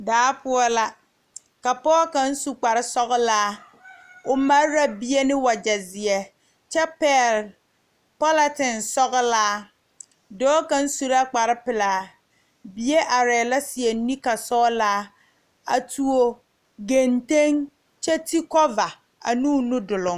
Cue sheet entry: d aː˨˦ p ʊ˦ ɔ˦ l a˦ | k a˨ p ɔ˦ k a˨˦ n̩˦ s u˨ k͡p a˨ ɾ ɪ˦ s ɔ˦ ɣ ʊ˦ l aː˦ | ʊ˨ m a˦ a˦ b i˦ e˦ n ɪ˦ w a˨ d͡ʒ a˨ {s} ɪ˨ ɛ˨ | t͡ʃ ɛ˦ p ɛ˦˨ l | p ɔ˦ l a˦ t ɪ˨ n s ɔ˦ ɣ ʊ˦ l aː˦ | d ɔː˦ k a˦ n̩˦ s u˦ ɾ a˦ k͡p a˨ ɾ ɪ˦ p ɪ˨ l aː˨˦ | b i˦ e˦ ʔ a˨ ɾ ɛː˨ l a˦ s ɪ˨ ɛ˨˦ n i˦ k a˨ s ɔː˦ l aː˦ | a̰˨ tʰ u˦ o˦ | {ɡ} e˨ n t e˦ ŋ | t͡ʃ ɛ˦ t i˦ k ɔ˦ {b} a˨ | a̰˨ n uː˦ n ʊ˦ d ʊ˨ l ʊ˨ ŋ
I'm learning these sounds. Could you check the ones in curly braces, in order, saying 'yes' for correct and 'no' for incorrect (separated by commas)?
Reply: no, yes, no